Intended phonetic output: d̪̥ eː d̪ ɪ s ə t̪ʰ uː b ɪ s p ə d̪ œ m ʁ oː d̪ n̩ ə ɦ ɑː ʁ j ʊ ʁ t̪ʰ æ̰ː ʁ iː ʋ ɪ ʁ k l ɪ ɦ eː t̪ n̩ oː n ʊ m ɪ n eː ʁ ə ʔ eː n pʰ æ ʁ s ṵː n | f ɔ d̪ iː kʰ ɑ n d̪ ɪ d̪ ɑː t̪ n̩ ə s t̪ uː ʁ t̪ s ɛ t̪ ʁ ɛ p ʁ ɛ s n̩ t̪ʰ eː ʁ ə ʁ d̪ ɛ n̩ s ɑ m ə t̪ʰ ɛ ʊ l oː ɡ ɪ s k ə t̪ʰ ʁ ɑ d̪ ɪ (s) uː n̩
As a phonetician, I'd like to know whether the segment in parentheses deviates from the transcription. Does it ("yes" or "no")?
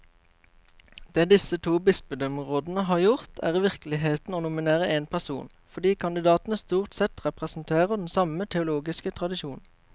yes